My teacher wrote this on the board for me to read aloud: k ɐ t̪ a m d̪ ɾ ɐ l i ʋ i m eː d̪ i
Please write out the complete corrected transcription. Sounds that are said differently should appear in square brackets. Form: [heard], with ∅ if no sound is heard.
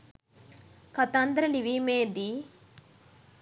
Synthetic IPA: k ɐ t̪ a [n] d̪ ɾ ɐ l i ʋ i m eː d̪ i